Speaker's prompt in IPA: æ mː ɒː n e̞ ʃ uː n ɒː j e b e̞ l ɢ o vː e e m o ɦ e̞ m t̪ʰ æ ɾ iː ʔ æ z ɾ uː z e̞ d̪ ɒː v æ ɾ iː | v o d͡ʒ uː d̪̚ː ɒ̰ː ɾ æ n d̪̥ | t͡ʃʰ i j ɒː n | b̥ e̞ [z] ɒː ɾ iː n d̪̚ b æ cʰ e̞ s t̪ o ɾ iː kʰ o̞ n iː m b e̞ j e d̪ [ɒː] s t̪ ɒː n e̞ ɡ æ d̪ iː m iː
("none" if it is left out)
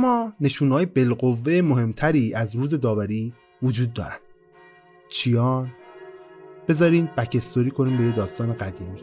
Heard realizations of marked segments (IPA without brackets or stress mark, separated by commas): z, ɒː